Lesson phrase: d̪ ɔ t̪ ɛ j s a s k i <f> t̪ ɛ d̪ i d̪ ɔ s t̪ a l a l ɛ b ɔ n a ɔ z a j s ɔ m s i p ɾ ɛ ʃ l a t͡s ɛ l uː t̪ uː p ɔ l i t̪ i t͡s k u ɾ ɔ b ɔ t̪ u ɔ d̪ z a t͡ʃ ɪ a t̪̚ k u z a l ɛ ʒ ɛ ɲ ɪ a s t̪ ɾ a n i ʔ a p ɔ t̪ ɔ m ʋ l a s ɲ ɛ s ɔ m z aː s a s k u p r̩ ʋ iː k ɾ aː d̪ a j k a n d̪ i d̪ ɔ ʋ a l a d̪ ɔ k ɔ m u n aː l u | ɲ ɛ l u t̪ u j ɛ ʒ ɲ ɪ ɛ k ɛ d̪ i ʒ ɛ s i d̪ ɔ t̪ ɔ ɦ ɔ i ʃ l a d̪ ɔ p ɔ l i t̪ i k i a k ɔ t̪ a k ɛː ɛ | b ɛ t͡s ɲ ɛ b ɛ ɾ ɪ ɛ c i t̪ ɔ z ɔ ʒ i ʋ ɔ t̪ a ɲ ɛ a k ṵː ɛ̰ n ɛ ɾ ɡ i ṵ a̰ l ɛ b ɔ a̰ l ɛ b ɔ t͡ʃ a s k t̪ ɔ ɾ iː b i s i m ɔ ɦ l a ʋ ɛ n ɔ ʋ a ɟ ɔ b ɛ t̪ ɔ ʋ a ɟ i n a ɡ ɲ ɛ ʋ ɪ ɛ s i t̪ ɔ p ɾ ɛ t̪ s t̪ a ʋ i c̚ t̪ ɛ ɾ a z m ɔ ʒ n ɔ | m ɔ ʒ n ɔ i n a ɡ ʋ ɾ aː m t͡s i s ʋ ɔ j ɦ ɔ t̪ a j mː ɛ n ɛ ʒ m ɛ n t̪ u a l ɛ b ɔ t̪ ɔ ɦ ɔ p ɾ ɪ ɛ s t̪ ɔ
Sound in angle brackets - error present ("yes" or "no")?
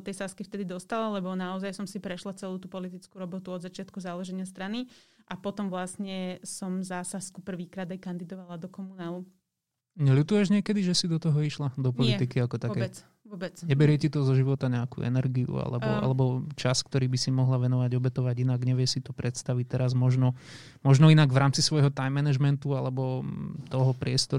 no